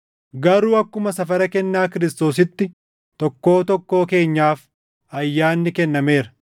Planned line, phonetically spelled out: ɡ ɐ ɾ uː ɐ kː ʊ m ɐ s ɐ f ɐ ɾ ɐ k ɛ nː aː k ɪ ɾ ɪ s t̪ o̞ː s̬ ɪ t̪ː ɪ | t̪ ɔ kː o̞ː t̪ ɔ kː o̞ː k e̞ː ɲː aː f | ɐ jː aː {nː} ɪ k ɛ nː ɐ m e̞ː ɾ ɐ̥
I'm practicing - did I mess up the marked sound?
no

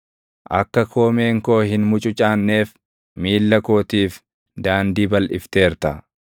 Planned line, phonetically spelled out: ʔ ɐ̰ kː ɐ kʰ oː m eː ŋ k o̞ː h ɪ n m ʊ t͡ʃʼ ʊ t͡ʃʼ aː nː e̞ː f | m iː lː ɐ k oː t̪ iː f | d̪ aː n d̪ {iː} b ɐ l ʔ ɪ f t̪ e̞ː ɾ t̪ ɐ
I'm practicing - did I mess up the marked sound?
no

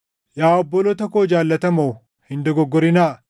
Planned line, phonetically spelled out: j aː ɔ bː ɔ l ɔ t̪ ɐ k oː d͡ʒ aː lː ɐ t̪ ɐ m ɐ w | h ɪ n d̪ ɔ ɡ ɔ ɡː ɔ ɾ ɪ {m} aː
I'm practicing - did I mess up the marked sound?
yes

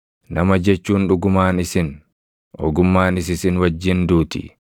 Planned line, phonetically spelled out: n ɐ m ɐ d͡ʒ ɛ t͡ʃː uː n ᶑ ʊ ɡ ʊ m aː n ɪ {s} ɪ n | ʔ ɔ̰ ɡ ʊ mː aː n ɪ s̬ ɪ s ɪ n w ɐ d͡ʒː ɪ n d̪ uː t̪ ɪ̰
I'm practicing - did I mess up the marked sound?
no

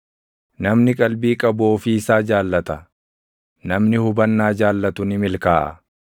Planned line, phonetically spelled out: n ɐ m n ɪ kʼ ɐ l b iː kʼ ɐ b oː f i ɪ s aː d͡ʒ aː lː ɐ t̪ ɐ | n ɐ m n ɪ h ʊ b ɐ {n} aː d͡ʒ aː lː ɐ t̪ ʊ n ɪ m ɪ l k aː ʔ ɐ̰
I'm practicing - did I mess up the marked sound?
yes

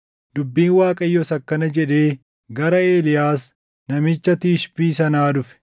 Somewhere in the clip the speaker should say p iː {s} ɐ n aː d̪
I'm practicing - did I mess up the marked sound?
no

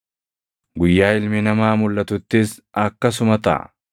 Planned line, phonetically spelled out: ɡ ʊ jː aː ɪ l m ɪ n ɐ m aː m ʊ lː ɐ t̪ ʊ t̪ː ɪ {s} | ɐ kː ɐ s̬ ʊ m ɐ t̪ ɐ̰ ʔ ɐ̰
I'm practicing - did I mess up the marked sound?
no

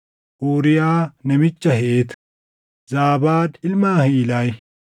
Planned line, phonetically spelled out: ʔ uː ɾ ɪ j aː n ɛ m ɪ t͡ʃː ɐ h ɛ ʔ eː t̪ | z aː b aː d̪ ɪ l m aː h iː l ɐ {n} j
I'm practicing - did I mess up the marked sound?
yes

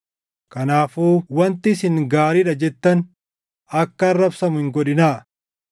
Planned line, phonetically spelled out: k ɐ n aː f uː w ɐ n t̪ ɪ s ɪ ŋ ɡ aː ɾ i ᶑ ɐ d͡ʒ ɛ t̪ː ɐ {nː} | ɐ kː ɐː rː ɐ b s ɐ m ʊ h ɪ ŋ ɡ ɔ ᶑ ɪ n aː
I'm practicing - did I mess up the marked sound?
yes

